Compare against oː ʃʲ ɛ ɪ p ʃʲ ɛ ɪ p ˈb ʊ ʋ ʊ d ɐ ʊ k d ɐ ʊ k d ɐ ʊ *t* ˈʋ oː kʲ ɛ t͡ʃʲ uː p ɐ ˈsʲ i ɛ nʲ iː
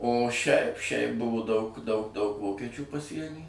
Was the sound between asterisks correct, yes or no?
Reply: no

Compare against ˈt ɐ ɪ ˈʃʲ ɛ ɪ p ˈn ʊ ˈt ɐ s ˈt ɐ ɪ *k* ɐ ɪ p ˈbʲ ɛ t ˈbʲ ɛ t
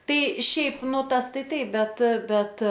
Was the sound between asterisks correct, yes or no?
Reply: no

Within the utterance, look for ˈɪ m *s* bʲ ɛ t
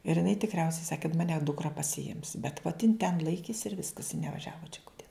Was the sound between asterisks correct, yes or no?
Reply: yes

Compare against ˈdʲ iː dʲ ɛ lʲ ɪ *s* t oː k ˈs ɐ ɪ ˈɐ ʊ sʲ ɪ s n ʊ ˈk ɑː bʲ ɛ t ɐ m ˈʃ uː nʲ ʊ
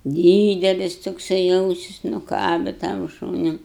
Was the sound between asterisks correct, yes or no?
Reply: yes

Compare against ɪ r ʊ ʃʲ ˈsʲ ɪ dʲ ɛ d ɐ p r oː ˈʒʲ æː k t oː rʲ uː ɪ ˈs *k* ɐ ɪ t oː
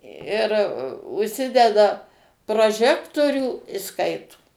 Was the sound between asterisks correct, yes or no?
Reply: yes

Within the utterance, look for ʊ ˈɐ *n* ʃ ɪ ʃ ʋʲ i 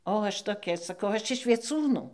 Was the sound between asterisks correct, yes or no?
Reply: no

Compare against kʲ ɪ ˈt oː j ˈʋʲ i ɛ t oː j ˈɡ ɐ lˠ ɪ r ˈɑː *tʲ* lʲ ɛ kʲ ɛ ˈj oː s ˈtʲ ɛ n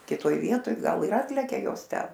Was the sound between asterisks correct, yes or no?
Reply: yes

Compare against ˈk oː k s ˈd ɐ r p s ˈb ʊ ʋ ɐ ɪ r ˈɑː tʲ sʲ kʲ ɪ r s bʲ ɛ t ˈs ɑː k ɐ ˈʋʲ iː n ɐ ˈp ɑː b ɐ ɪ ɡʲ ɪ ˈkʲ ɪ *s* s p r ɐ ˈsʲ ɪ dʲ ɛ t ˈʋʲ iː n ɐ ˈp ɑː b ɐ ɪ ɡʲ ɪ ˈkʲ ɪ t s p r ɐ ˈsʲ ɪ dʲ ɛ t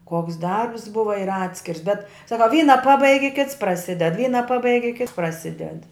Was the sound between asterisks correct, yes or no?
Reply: no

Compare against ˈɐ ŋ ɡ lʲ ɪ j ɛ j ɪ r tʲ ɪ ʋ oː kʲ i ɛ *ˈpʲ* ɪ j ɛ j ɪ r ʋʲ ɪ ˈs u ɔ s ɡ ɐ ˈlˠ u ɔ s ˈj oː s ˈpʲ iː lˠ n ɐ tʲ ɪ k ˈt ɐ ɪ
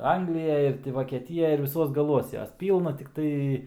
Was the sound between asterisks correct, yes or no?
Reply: no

